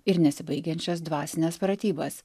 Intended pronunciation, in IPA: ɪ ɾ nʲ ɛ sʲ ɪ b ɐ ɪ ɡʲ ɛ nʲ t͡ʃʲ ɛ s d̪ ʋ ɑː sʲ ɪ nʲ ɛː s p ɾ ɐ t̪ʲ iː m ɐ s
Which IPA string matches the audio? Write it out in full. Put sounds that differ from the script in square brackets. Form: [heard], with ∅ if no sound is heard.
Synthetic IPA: ɪ ɾ nʲ ɛ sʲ ɪ b ɐ ɪ ɡʲ ɛ nʲ t͡ʃʲ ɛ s d̪ ʋ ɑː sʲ ɪ nʲ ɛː s p ɾ ɐ t̪ʲ iː [b] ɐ s

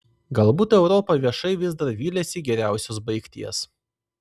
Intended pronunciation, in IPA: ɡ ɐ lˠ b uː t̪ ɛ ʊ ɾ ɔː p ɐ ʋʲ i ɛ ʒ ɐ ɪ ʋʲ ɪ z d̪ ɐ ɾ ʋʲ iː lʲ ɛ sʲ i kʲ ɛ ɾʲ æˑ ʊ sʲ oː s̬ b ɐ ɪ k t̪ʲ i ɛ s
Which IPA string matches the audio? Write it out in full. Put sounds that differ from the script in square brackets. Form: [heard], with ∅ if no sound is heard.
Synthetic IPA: ɡ ɐ lˠ b uː t̪ ɛ ʊ ɾ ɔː p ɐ ʋʲ i ɛ [ʃ] ɐ ɪ ʋʲ ɪ z d̪ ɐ ɾ ʋʲ iː lʲ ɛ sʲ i [ɡʲ] ɛ ɾʲ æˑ ʊ sʲ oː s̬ b ɐ ɪ k t̪ʲ i ɛ s

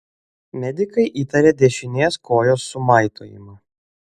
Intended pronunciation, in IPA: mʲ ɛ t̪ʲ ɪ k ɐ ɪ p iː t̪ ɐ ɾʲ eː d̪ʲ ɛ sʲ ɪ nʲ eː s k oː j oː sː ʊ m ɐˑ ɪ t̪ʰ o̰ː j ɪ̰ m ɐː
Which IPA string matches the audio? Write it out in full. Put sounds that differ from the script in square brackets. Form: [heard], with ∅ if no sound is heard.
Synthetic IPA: mʲ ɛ [d̪ʲ] ɪ k ɐ ɪ [ʔ] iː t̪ ɐ ɾʲ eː d̪ʲ ɛ [ʃʲ] ɪ nʲ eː s k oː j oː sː ʊ m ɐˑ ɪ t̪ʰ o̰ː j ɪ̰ m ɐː

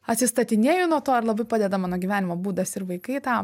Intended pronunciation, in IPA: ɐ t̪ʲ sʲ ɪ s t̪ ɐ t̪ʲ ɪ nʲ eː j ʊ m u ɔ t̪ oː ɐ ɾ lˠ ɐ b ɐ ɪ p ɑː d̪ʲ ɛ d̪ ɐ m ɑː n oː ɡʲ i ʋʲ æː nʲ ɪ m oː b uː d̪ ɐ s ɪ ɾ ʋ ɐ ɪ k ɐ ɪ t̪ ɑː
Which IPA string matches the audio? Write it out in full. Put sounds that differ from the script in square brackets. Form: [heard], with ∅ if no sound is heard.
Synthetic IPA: ɐ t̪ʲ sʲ ɪ s t̪ ɐ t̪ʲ ɪ nʲ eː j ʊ [n] u ɔ t̪ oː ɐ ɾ lˠ ɐ b ɐ ɪ p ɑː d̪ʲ ɛ d̪ ɐ m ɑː n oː ɡʲ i ʋʲ æː nʲ ɪ m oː b uː d̪ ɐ s ɪ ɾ ʋ ɐ ɪ k ɐ ɪ t̪ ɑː

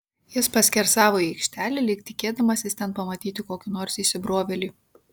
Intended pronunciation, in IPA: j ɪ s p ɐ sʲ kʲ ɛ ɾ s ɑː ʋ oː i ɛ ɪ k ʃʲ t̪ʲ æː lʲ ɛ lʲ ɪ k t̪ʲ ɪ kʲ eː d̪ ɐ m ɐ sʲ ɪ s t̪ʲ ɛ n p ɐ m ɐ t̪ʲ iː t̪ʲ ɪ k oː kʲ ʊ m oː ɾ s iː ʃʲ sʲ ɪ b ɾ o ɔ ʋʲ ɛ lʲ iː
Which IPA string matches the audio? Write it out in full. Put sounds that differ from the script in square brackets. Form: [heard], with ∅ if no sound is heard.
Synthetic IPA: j ɪ s p ɐ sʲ kʲ ɛ ɾ s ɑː ʋ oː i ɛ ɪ k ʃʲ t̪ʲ æː lʲ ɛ lʲ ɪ k t̪ʲ ɪ kʲ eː d̪ ɐ m ɐ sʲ ɪ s t̪ʲ ɛ n p ɐ m ɐ t̪ʲ iː t̪ʲ ɪ k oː kʲ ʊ [n] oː ɾ s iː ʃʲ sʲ ɪ b ɾ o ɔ ʋʲ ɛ lʲ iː

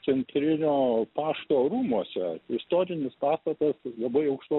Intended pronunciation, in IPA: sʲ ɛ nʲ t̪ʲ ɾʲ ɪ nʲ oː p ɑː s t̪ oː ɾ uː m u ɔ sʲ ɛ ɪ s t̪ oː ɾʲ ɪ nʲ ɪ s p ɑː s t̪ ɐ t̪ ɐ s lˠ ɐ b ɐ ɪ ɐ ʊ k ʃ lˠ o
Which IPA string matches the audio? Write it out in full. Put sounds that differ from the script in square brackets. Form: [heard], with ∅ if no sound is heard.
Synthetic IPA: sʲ ɛ nʲ t̪ʲ ɾʲ ɪ nʲ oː p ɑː [ʃ] t̪ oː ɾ uː m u ɔ sʲ ɛ ɪ s t̪ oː ɾʲ ɪ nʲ ɪ s p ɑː s t̪ ɐ t̪ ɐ s lˠ ɐ b ɐ ɪ ɐ ʊ k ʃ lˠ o

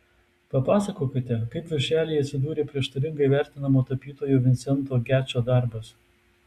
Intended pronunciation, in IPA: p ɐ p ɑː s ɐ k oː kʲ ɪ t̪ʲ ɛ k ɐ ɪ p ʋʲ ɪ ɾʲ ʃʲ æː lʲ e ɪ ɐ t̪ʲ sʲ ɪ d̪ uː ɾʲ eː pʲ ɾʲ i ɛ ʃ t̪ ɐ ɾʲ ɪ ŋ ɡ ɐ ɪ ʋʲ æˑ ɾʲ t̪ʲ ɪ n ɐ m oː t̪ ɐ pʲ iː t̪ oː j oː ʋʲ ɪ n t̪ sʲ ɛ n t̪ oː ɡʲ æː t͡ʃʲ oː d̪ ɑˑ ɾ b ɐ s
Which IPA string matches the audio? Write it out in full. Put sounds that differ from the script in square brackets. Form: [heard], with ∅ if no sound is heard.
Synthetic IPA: p ɐ p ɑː s ɐ k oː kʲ ɪ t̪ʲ ɛ k ɐ ɪ p ʋʲ ɪ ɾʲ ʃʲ æː lʲ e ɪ ɐ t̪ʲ sʲ ɪ d̪ uː ɾʲ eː pʲ ɾʲ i ɛ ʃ t̪ ɐ ɾʲ ɪ ŋ ɡ ɐ ɪ ʋʲ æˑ ɾʲ t̪ʲ ɪ n ɐ m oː t̪ ɐ pʲ iː t̪ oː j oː ʋʲ ɪ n t̪ sʲ ɛ n t̪ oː ɡʲ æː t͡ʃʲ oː d̪ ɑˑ ɾ b ɐ s

